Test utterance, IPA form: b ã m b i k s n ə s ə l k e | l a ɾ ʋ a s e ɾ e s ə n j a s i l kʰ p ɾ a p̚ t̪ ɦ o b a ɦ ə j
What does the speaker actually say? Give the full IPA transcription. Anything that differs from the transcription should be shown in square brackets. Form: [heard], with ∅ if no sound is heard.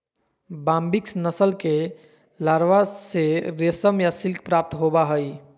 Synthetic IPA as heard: b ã m b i k s n ə s ə l k e | l a ɾ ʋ a s e ɾ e s ə [m] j a s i l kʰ p ɾ a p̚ t̪ ɦ o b a ɦ ə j